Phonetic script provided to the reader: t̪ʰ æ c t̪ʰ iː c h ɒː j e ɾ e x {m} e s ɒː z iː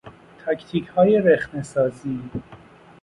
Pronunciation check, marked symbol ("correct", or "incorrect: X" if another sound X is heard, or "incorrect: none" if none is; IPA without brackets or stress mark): incorrect: n